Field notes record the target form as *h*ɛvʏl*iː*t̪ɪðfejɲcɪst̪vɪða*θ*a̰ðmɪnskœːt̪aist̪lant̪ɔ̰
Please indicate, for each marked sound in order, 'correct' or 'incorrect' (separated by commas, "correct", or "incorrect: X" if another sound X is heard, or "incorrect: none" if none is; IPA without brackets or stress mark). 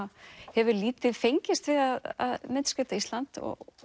correct, correct, incorrect: ð